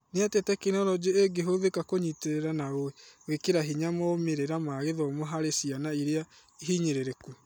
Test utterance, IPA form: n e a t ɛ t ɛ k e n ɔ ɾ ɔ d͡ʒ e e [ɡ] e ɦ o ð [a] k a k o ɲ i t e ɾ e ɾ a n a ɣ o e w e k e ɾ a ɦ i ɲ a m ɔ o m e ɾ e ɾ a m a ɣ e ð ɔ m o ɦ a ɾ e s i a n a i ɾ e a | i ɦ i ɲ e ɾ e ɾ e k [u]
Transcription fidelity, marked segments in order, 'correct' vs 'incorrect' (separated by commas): correct, incorrect, correct